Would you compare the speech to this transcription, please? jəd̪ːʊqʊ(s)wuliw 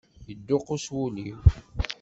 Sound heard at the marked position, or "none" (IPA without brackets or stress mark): s